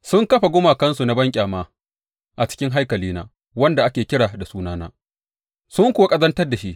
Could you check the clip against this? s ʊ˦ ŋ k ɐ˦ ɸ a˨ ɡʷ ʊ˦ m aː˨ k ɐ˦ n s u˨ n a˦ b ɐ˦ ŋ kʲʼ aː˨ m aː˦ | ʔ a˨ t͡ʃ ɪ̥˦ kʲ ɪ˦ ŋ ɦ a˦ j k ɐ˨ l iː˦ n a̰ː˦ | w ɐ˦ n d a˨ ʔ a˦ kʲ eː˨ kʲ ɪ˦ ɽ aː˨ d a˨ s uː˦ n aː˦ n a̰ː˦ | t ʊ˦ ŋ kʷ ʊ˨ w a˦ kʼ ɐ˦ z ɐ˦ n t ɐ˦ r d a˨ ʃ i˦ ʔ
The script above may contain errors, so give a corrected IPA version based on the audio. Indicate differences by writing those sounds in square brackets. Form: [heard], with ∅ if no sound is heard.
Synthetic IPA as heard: s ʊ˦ ŋ k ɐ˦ ɸ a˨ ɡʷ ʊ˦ m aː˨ k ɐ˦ n s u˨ n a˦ b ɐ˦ ŋ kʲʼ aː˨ m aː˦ | ʔ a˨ t͡ʃ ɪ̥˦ kʲ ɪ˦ ŋ ɦ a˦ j k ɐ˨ l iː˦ n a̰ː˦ | w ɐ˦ n d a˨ ʔ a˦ kʲ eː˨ kʲ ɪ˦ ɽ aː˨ d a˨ s uː˦ n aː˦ n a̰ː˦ | [s] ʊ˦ ŋ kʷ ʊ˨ w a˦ kʼ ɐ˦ z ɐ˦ n t ɐ˦ r d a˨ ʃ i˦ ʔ